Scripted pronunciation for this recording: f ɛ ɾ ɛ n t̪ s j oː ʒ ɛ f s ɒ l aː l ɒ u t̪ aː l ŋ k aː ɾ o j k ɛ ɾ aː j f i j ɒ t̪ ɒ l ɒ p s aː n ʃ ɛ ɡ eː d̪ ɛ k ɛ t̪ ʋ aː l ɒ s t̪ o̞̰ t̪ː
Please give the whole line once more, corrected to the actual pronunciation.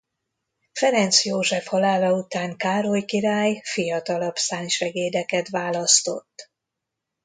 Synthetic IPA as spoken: f ɛ ɾ ɛ n t̪ s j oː ʒ ɛ f h ɒ l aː l ɒ u t̪ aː ŋ k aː ɾ o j k i ɾ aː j f i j ɒ t̪ ɒ l ɒ p s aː n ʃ ɛ ɡ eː d̪ ɛ k ɛ t̪ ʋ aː l ɒ s t̪ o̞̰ t̪ː